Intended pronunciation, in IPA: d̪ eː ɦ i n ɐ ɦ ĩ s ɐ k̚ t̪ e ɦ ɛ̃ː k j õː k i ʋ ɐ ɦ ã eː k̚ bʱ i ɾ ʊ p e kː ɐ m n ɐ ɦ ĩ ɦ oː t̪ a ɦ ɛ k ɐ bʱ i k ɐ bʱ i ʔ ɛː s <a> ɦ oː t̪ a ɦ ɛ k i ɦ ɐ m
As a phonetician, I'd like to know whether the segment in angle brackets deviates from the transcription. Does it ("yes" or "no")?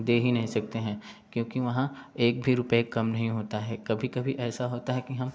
no